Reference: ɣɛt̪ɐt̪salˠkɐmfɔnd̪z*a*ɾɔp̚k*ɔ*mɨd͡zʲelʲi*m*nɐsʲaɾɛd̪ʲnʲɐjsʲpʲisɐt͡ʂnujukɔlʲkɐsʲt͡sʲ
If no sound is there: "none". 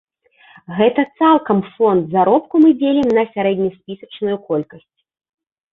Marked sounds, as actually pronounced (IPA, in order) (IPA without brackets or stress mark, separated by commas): a, u, m